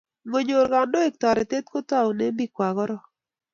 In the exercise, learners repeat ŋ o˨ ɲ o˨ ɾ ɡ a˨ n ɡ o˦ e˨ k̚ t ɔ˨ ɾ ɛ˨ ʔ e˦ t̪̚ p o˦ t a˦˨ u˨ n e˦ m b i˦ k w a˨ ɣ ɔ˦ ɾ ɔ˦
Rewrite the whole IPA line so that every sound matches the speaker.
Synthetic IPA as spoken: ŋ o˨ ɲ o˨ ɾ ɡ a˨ n d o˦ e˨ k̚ t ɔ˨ ɾ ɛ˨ t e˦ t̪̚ k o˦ t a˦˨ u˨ n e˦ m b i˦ k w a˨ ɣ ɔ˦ ɾ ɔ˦